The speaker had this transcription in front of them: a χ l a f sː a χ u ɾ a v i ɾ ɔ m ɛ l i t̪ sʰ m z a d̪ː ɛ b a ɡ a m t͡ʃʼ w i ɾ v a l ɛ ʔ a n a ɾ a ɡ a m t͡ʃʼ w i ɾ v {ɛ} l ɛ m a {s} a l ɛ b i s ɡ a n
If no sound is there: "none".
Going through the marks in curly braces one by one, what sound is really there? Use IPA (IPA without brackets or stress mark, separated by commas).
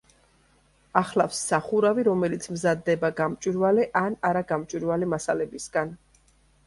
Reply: a, s